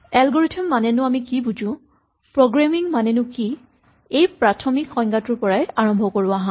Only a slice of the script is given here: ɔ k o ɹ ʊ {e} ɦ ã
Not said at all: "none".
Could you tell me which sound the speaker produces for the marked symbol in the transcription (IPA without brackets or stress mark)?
a